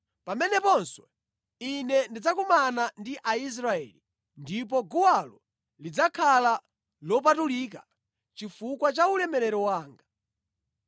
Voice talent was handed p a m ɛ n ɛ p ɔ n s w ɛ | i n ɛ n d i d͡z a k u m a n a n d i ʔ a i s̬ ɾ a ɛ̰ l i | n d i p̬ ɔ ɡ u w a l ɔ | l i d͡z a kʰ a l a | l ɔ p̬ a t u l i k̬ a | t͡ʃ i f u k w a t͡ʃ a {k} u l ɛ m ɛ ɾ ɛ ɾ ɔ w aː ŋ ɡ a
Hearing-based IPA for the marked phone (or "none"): none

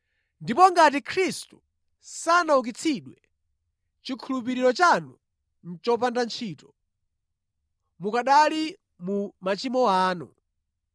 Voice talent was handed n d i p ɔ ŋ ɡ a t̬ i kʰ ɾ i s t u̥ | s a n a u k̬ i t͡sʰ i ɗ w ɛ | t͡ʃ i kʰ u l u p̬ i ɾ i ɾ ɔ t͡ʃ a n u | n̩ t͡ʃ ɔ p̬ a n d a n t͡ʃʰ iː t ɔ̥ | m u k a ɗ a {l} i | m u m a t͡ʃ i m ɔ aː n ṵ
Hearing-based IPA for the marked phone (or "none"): l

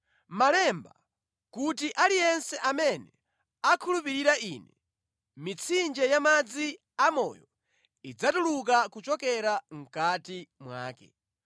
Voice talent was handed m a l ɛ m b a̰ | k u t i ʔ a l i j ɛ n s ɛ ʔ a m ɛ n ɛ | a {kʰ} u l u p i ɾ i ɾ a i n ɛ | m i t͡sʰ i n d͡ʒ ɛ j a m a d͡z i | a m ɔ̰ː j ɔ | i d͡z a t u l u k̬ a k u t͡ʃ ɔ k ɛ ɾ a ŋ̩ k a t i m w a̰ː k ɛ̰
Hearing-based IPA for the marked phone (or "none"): kʰ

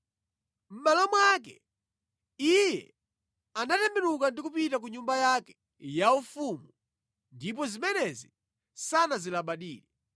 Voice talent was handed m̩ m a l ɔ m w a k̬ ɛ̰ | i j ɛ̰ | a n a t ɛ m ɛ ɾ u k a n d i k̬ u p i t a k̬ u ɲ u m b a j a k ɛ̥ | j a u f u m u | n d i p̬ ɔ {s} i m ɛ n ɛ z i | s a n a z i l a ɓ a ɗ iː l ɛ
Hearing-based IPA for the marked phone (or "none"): z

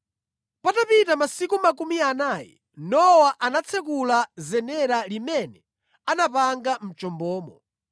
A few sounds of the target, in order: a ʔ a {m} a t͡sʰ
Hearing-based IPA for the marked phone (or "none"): n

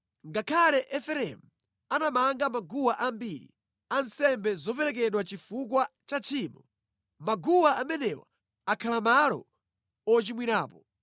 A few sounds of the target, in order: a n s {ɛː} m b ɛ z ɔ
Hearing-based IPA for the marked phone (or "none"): ɛ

